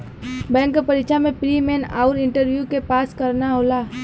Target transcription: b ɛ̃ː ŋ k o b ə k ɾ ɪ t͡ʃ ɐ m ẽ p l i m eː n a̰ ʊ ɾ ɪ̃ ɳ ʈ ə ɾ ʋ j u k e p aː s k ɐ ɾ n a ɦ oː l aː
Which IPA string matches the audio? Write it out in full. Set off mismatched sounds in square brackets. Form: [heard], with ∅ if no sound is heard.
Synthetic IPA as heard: b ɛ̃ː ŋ k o [p] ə [∅] ɾ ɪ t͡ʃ [a] m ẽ p [ɾ] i m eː n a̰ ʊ ɾ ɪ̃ ɳ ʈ ə ɾ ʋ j u k e p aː s k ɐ ɾ n a ɦ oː l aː